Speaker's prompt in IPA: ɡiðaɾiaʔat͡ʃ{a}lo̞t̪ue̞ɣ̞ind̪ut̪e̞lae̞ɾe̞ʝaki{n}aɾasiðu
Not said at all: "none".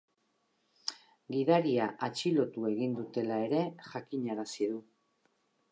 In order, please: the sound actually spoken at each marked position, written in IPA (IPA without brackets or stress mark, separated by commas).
i, ɲ